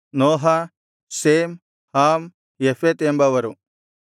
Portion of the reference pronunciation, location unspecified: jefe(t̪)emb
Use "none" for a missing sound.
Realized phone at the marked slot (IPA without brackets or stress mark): t̪